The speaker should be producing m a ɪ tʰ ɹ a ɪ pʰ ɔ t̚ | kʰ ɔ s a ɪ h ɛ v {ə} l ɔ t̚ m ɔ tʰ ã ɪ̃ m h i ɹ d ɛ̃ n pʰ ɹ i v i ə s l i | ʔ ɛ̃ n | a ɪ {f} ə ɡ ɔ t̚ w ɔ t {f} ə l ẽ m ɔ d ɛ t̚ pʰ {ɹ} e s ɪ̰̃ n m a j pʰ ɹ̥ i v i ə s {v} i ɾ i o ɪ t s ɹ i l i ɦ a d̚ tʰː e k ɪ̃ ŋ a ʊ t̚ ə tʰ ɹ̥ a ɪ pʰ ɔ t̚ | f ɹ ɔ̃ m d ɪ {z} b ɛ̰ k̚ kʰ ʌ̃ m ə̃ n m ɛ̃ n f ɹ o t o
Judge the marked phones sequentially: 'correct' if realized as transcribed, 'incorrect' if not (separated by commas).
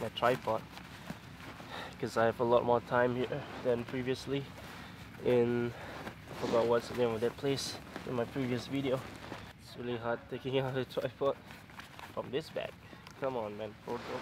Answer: correct, correct, incorrect, incorrect, correct, incorrect